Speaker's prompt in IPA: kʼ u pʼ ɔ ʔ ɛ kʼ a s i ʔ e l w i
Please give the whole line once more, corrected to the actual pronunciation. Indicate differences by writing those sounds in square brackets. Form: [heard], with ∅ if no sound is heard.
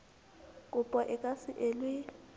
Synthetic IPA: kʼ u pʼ ɔ ʔ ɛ kʼ a s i ʔ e l w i